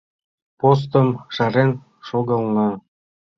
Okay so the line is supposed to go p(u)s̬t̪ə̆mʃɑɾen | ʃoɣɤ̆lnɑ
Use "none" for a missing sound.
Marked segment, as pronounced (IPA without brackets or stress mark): o